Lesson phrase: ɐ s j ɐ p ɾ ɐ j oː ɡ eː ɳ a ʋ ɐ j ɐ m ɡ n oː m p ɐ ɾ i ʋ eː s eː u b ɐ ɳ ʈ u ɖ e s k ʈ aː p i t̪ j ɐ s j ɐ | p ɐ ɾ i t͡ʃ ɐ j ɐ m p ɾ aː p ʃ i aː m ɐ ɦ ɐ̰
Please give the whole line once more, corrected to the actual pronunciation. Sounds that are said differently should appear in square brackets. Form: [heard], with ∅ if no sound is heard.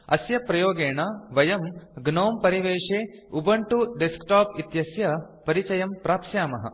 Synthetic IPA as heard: ɐ s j ɐ p ɾ ɐ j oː ɡ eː ɳ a ʋ ɐ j ɐ m ɡ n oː m p ɐ ɾ i ʋ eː [ʂ] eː u b ɐ ɳ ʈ u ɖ e s k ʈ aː p i t̪ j ɐ s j ɐ | p ɐ ɾ i t͡ʃ ɐ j ɐ m p ɾ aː p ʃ [j] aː m ɐ ɦ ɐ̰